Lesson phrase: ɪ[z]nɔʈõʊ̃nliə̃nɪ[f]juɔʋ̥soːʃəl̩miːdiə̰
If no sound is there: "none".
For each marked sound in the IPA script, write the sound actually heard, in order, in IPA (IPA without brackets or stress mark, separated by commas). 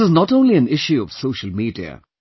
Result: z, ʃ